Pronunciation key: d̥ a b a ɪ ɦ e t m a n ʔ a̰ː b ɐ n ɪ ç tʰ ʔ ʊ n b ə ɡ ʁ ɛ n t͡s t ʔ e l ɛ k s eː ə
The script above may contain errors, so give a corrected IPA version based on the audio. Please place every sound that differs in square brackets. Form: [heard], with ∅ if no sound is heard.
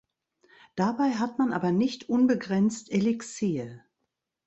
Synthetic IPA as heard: d̥ a b a ɪ ɦ [a] t m a n ʔ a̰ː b ɐ n ɪ ç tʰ ʔ ʊ n b ə ɡ ʁ ɛ n t͡s t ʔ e l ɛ k s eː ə